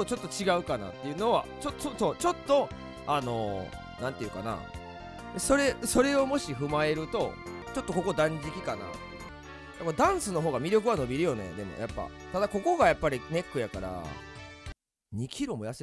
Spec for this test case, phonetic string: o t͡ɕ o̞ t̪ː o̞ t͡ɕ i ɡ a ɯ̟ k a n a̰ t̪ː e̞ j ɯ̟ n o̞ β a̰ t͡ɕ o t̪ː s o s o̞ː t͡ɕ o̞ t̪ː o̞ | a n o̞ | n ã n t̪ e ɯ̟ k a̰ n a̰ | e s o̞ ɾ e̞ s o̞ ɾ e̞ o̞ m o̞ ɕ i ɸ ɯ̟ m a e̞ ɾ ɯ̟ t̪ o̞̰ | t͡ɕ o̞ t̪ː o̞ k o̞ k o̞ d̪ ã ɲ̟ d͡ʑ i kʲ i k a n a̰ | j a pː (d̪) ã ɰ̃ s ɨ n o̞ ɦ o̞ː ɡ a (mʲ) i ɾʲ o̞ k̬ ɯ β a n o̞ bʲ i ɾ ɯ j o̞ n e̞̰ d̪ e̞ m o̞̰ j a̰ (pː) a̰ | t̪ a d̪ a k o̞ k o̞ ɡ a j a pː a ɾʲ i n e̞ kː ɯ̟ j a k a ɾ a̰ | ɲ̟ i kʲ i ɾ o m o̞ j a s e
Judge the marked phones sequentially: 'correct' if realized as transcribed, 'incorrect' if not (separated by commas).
correct, correct, correct